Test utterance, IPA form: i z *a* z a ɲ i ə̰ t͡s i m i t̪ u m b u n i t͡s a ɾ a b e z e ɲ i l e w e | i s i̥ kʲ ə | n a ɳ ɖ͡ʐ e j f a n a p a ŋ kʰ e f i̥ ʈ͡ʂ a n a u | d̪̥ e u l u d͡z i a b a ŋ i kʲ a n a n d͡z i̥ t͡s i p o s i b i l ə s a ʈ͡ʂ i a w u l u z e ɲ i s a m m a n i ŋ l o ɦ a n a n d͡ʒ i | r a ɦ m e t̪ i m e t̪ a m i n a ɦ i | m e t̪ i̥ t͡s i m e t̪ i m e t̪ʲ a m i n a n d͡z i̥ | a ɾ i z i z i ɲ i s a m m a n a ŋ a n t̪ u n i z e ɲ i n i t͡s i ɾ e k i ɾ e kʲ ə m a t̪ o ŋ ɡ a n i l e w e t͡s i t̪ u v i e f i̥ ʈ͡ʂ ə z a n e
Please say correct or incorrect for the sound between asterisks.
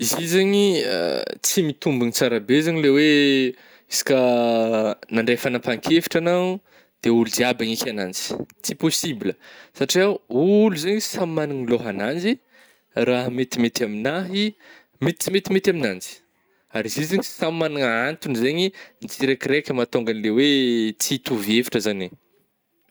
incorrect